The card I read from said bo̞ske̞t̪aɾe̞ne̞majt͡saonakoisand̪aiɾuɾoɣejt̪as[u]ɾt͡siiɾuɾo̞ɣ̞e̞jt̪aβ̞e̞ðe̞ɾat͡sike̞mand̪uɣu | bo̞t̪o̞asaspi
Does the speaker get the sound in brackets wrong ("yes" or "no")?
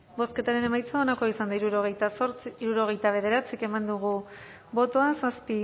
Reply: yes